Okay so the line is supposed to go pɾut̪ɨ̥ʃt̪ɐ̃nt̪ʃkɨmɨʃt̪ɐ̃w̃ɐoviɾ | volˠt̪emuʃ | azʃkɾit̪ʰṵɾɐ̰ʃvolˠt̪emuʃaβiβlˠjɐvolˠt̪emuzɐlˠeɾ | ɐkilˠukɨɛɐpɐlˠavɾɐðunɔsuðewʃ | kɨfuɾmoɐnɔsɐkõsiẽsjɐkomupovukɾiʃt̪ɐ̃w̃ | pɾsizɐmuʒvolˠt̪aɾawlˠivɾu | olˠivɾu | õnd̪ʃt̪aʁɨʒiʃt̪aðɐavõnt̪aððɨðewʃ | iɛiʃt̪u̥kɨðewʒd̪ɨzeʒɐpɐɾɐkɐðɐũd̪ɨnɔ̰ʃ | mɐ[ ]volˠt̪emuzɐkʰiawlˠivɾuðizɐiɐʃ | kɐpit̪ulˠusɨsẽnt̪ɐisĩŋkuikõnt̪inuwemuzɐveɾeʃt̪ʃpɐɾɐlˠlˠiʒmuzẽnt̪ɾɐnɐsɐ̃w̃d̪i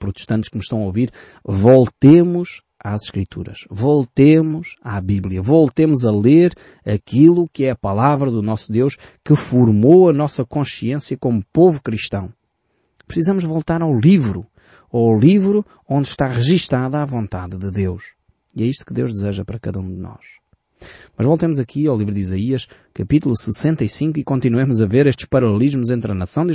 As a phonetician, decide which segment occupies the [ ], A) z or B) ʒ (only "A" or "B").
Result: B